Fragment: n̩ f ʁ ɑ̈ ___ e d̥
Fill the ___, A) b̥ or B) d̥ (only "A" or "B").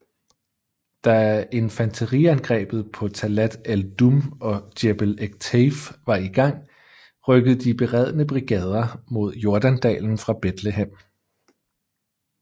A